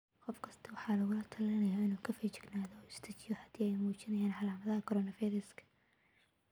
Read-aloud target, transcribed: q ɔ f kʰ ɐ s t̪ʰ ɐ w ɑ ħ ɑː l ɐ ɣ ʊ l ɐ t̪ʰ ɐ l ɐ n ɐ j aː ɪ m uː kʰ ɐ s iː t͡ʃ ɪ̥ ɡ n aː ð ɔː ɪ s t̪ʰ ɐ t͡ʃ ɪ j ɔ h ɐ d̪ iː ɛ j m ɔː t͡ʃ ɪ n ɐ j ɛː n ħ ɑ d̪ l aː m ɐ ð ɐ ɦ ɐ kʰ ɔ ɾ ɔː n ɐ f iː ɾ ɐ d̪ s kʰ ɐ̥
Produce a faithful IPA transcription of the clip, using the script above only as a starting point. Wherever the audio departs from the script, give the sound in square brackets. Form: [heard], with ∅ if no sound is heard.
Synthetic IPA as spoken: q ɔ f kʰ ɐ s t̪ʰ ɐ w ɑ ħ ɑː l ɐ ɣ ʊ l ɐ t̪ʰ ɐ l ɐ n ɐ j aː ɪ [n] uː kʰ ɐ [f] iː t͡ʃ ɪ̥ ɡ n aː ð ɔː ɪ s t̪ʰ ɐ t͡ʃ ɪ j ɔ h ɐ d̪ iː ɛ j m [uː] t͡ʃ ɪ n ɐ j [aː] n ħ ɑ [∅] l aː m ɐ ð ɐ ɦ ɐ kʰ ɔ ɾ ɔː n ɐ f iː ɾ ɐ [∅] s kʰ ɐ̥